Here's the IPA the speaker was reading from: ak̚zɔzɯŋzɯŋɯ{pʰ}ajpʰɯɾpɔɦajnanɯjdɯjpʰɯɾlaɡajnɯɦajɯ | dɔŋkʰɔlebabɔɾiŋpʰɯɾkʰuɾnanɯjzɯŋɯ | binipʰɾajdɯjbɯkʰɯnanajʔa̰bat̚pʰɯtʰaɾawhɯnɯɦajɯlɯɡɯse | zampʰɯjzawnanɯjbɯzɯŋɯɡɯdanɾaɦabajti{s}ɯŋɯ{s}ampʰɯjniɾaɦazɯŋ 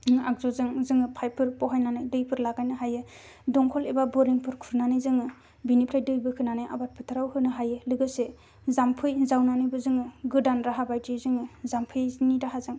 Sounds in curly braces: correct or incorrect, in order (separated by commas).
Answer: correct, incorrect, incorrect